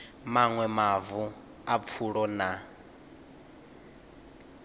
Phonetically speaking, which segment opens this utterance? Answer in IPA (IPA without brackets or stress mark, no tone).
m